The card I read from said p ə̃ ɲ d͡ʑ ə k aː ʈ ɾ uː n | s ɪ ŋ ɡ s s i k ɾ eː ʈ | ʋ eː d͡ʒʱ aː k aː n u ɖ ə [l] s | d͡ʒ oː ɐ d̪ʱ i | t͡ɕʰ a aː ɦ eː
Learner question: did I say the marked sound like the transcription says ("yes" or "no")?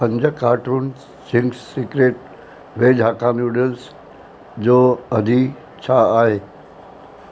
yes